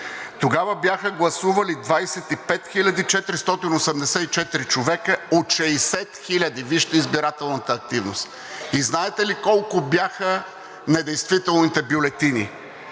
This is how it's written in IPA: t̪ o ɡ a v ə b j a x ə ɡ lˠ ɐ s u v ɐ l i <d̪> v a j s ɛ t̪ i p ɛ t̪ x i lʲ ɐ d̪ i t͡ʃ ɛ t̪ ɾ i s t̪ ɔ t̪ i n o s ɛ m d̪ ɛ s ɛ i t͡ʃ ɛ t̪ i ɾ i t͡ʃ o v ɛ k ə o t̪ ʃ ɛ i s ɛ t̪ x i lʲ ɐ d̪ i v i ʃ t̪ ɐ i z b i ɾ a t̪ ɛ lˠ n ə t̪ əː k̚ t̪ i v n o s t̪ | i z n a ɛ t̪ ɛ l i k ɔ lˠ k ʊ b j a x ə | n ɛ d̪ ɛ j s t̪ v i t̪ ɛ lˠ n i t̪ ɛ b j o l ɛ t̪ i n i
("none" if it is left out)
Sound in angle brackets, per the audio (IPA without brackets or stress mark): d̪